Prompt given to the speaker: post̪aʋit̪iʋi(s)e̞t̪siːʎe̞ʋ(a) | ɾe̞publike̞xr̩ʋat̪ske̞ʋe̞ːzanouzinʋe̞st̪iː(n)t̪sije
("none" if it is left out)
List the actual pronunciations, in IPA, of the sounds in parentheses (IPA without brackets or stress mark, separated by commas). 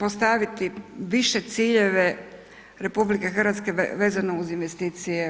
ʃ, e, none